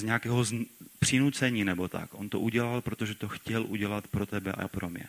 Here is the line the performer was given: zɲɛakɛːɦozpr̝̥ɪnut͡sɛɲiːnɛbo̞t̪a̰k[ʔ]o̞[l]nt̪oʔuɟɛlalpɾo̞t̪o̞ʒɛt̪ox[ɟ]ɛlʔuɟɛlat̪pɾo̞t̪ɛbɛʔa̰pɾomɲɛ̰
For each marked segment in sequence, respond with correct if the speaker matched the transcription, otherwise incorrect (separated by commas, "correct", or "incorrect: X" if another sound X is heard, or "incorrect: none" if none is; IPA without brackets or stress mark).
correct, incorrect: none, incorrect: c